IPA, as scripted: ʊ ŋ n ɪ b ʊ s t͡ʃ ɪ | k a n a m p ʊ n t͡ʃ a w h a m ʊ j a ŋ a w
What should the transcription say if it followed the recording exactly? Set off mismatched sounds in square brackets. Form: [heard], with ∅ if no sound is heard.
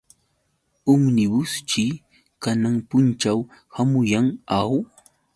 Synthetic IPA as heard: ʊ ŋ n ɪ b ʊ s t͡ʃ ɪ | k a n a [ŋ] p ʊ n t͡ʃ a w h a m ʊ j a ŋ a w

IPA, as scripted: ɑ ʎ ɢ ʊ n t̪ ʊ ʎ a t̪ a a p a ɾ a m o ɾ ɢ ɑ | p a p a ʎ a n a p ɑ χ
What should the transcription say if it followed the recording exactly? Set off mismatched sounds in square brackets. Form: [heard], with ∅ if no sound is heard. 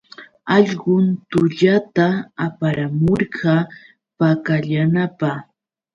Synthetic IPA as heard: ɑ ʎ ɢ ʊ n t̪ ʊ ʎ a t̪ a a p a ɾ a m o ɾ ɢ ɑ | p a [k] a ʎ a n a p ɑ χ

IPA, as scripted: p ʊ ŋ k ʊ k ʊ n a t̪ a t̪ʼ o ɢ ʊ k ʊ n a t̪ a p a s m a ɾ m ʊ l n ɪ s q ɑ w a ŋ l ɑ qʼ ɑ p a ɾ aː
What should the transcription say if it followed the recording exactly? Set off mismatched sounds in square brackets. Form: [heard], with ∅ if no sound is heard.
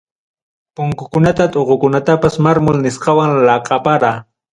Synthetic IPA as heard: p ʊ ŋ k ʊ k ʊ n a t̪ a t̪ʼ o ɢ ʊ k ʊ n a t̪ a p a s m a ɾ m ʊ l n ɪ s q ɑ w a ŋ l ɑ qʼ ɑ p a ɾ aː

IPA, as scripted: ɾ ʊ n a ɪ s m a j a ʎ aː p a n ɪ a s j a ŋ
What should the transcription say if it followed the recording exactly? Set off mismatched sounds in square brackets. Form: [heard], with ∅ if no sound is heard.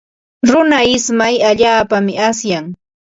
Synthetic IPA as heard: ɾ ʊ n a ɪ s m a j a ʎ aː p a [m] ɪ a s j a ŋ

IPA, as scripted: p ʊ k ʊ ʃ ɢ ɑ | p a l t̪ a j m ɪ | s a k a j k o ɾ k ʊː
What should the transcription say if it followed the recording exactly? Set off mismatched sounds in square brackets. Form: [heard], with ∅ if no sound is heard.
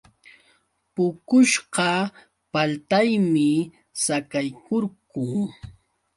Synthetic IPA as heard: p ʊ k ʊ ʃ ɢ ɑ | p a l t̪ a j m ɪ | s a k a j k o ɾ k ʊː

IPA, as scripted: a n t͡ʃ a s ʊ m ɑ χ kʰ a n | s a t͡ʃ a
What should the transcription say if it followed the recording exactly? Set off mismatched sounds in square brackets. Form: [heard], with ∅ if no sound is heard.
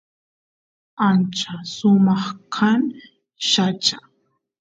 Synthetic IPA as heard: a n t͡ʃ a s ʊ m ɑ χ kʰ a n | [ʃ] a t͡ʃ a

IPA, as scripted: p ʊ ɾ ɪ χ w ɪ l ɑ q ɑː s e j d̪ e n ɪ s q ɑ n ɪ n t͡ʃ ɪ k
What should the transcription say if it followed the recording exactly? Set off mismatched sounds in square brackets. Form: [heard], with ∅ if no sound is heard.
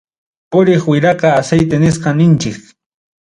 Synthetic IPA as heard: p ʊ ɾ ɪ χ w ɪ [ɾ] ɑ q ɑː s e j [t̪] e n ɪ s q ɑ n ɪ n t͡ʃ ɪ k

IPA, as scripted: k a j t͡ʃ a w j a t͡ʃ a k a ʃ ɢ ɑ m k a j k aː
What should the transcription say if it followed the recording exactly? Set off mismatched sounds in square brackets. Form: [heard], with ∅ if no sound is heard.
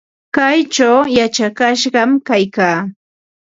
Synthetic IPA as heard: k a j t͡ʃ a w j a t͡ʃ a k a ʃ ɢ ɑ m k a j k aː

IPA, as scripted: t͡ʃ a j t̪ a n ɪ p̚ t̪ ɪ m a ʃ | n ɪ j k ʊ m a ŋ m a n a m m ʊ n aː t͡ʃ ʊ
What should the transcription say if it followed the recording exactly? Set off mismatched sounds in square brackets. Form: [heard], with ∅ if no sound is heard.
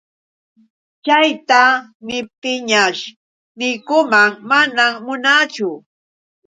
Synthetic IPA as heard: t͡ʃ a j t̪ a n ɪ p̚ t̪ ɪ [ɲ] a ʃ | n ɪ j k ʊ m a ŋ m a n a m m ʊ n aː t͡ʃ ʊ

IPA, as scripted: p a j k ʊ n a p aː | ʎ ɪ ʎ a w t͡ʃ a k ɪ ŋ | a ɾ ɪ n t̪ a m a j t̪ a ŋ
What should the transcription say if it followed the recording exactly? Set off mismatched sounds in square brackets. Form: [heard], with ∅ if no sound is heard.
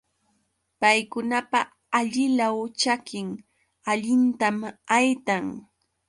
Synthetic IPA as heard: p a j k ʊ n a p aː | ʎ ɪ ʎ a w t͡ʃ a k ɪ ŋ | a [ʎ] ɪ n t̪ a m a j t̪ a ŋ

